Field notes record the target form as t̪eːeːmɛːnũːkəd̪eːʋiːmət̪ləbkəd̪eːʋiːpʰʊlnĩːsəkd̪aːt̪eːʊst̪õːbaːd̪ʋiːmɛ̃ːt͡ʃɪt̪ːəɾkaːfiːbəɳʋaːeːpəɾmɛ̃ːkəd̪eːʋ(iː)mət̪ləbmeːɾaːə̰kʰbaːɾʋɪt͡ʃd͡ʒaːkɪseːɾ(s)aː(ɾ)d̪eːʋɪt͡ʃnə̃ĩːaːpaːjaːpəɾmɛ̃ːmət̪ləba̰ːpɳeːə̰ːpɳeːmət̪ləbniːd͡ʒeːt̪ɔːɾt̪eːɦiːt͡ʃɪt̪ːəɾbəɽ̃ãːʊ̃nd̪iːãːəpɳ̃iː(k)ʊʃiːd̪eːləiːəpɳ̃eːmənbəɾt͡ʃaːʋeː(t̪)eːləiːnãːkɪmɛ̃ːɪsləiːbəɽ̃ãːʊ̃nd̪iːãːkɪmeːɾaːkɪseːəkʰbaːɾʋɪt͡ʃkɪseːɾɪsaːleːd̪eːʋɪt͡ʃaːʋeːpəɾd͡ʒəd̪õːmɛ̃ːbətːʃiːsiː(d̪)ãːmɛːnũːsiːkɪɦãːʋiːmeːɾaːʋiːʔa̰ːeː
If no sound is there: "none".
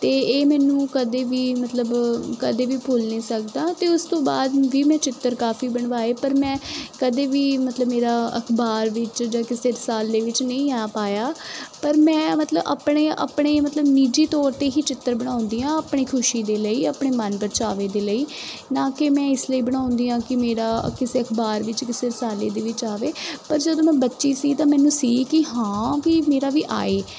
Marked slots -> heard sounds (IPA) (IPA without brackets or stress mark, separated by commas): iː, s, l, kʰ, d̪, t̪